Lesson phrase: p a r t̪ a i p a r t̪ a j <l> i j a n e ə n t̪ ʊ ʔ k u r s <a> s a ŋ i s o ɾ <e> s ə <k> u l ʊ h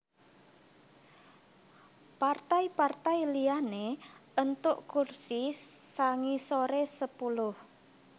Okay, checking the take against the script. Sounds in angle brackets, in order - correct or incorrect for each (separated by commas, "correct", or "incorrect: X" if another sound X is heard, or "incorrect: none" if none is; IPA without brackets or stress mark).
correct, incorrect: i, correct, incorrect: p